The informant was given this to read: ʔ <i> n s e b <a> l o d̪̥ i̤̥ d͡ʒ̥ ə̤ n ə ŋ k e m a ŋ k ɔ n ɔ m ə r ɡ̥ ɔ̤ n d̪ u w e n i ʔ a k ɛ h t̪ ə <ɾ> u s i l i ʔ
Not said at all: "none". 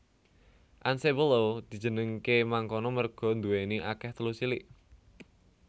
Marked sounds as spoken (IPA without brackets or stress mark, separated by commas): a, ə, l